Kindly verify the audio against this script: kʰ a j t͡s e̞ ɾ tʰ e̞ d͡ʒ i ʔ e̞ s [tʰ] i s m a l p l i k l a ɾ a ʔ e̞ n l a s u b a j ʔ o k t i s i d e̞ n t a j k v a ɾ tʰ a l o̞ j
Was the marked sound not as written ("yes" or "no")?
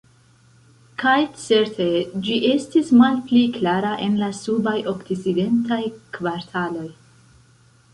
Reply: yes